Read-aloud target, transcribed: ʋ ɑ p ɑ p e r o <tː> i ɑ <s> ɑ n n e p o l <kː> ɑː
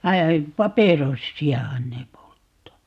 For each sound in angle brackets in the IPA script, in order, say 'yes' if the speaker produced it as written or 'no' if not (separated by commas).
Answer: no, no, no